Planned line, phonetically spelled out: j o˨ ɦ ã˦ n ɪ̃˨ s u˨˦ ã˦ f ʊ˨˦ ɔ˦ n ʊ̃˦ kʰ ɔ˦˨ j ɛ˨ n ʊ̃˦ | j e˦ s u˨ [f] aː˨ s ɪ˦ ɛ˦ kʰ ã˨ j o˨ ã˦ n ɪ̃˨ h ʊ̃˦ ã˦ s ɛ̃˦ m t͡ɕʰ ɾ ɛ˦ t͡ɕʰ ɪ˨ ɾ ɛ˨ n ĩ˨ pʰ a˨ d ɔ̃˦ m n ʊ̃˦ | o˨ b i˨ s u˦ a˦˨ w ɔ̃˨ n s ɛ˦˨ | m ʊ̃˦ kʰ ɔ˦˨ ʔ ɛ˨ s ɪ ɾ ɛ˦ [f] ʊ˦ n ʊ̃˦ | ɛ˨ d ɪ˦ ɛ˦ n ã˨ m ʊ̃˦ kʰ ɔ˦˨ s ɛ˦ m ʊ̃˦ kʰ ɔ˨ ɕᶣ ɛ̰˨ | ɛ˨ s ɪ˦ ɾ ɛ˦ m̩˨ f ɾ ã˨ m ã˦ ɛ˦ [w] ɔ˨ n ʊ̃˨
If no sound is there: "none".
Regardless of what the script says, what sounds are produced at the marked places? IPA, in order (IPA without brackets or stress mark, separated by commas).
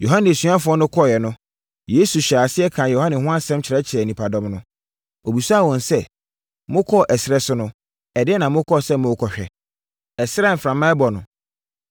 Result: ɕ, s, b